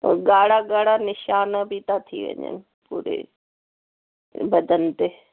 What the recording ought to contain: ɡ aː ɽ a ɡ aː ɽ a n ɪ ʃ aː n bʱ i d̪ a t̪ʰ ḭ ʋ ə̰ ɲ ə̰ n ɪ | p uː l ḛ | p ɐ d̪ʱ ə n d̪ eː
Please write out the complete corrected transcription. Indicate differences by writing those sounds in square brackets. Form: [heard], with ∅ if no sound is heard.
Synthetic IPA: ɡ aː ɽ a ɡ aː ɽ a n ɪ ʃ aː n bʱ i [t̪] a t̪ʰ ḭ ʋ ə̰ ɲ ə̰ n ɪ | p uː [ɾ] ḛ | [b] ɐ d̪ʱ ə n [t̪] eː